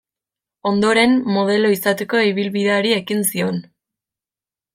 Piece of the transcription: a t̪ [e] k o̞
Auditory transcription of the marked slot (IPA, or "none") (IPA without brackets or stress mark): e